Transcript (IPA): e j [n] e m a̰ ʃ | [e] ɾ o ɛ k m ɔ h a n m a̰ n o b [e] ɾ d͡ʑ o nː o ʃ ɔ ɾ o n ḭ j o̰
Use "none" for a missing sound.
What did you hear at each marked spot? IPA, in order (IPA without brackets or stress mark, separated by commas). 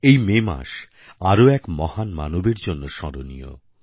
m, a, e